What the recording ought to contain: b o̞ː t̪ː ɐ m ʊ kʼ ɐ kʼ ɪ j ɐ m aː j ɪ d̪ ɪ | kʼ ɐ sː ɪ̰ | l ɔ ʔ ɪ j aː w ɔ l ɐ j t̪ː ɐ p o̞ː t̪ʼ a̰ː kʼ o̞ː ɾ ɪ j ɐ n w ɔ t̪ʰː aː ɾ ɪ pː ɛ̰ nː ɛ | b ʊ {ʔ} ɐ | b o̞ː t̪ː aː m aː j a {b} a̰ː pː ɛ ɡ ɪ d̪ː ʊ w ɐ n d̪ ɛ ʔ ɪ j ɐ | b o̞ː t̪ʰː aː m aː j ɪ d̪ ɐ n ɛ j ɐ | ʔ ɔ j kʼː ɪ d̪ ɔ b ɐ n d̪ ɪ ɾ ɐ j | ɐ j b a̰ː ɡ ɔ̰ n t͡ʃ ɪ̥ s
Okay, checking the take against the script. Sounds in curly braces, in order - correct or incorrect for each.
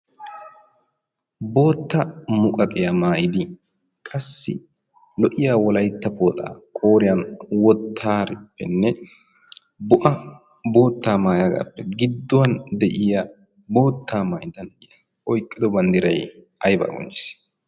correct, incorrect: ɡ

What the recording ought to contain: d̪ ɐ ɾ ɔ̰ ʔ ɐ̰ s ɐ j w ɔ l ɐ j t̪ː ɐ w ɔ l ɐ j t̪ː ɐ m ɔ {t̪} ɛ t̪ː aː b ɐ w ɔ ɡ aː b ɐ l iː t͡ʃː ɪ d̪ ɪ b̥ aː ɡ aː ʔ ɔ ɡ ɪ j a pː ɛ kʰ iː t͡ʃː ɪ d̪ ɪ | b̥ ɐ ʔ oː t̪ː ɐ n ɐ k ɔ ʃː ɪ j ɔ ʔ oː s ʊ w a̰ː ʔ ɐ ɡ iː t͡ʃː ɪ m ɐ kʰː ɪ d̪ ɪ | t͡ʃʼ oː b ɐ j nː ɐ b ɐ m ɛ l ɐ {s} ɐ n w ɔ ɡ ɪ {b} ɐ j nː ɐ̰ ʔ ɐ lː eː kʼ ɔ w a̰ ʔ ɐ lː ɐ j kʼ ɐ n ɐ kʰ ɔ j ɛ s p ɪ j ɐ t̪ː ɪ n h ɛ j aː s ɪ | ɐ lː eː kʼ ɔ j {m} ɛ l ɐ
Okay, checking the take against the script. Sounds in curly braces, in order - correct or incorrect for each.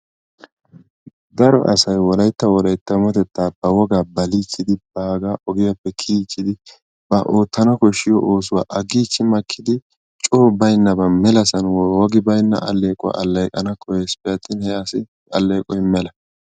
correct, correct, correct, correct

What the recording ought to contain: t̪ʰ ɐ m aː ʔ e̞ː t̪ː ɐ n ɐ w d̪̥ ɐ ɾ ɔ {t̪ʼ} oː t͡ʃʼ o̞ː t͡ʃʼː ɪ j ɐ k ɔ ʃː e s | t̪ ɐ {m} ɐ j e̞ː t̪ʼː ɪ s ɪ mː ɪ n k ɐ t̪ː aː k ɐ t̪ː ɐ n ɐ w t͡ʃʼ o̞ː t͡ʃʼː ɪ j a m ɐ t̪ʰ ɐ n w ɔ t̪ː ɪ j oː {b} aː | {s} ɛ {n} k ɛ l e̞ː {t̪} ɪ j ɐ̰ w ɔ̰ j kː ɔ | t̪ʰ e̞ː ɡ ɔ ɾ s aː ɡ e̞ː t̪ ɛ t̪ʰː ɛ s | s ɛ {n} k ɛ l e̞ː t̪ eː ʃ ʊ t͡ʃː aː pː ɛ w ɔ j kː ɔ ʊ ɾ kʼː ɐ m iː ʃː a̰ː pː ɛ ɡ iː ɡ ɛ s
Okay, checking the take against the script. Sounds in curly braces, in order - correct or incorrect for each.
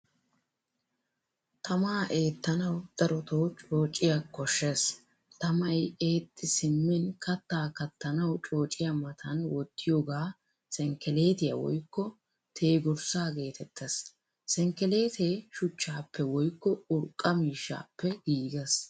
incorrect: t̪, correct, incorrect: ɡ, correct, incorrect: ŋ, correct, incorrect: ŋ

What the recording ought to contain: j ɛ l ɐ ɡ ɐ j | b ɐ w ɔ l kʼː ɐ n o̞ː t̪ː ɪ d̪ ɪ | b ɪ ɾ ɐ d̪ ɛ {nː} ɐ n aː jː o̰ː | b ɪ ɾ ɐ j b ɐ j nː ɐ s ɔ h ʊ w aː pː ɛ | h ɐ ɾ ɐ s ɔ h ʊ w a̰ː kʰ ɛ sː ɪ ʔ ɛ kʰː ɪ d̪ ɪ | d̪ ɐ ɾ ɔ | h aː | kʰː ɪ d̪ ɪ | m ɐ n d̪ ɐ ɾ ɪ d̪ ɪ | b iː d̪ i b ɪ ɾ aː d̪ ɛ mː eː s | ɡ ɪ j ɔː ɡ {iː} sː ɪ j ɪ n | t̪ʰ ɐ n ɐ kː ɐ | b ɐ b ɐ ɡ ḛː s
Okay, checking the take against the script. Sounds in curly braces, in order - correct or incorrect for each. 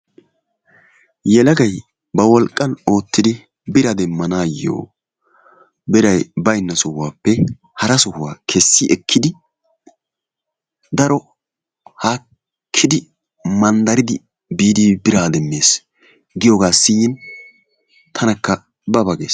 incorrect: mː, incorrect: aː

